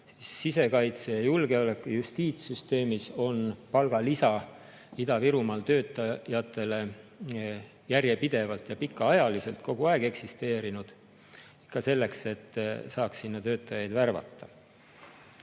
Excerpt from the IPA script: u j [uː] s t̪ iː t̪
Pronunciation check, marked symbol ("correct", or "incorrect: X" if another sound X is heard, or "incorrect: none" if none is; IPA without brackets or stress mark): incorrect: u